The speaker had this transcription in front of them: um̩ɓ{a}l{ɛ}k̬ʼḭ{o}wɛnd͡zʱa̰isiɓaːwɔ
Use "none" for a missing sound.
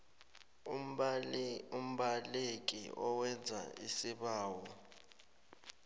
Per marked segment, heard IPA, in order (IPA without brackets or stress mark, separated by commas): a, e, ɔ